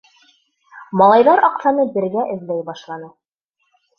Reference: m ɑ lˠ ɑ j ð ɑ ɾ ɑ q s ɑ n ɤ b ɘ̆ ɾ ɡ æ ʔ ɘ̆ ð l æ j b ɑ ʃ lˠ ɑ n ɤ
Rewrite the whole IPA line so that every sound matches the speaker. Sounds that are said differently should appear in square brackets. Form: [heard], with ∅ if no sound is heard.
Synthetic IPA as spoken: m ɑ lˠ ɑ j ð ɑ ɾ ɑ q s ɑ n ɤ b ɘ̆ ɾ ɡ æ ʔ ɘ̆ ð l æ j b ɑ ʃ lˠ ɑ n ɤ